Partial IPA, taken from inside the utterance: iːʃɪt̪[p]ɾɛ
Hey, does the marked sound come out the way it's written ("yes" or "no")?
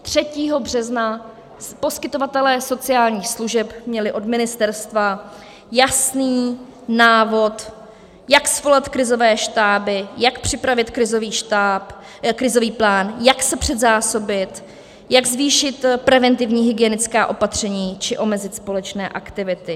yes